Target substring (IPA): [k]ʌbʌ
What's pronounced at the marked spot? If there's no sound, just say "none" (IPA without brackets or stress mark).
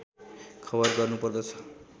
kʰ